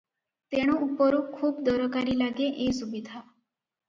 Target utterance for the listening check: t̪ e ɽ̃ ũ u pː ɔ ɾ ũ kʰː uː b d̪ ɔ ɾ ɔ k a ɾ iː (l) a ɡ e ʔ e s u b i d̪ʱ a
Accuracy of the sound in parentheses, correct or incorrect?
correct